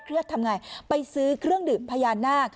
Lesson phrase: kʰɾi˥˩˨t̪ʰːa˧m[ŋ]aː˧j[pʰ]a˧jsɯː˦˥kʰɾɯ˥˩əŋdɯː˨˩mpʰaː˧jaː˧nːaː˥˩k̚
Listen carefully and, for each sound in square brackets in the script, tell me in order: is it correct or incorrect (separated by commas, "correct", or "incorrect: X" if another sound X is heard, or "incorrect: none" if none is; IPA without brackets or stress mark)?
correct, incorrect: p